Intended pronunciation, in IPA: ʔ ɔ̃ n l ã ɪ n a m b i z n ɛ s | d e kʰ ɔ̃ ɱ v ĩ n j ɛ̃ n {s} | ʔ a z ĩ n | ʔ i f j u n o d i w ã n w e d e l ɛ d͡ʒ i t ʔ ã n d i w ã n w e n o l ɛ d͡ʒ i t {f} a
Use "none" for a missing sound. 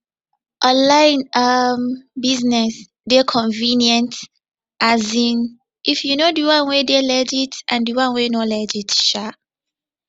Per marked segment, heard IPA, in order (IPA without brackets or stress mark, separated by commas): t, ʃ